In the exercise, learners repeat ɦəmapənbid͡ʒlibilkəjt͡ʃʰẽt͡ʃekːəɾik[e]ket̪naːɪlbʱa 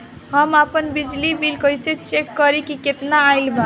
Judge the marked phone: incorrect: i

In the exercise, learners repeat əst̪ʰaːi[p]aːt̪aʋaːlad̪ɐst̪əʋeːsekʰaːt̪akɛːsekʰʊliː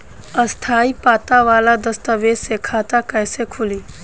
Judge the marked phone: correct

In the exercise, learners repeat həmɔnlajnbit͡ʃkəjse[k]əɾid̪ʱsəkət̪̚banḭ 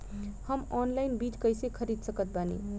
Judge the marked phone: incorrect: kʰ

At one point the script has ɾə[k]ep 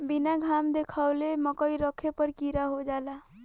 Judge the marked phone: incorrect: kʰ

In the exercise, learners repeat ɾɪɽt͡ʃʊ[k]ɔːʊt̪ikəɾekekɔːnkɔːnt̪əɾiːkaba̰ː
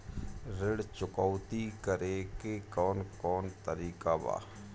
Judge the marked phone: correct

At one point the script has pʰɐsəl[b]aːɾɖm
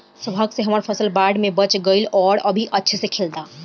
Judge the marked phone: correct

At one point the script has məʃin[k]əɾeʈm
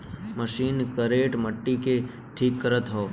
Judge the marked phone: correct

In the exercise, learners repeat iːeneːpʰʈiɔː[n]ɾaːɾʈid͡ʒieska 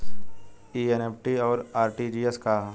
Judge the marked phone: incorrect: none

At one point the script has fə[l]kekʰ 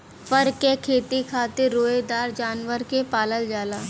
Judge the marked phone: incorrect: ɾ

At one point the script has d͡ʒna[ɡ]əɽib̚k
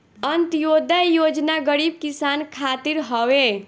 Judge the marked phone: correct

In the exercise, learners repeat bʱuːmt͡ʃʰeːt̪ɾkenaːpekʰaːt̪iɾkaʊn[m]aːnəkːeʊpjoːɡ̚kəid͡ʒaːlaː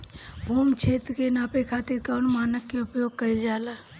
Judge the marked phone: correct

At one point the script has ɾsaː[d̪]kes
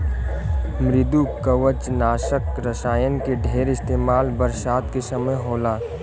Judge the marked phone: incorrect: t̪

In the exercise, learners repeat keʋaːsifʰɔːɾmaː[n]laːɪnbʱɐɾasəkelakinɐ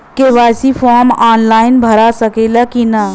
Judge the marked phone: correct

